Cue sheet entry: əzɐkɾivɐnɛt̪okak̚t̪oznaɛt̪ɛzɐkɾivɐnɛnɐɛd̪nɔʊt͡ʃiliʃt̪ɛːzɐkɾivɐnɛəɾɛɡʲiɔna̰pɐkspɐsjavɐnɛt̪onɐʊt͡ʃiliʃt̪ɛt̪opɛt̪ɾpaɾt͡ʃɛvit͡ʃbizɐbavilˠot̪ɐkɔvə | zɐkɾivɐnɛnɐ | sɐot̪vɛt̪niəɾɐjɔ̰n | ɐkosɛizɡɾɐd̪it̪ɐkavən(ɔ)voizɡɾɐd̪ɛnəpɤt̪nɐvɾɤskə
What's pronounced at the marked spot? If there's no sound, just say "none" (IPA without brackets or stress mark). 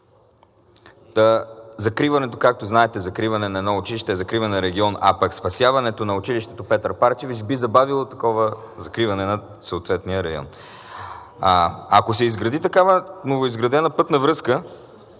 o